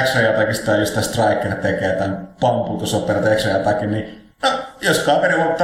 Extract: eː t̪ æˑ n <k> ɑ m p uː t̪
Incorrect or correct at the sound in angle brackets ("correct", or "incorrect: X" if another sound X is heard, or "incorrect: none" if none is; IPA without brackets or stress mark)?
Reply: incorrect: p